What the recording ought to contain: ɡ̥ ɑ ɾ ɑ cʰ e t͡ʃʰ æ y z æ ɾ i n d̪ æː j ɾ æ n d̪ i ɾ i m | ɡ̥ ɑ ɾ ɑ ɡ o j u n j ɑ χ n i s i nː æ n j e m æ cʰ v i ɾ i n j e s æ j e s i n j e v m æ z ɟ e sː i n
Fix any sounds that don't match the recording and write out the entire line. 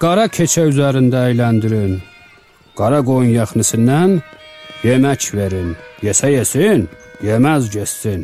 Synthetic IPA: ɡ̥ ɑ ɾ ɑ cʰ e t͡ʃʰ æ y z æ ɾ i n d̪ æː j l æ n d̪ i ɾ i n | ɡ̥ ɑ ɾ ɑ ɡ o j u n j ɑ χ n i s i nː æ n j e m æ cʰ v e ɾ i n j e s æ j e s i n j e m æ z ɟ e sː i n